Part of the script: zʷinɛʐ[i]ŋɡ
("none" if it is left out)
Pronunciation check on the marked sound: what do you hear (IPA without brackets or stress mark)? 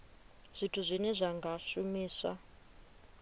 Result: a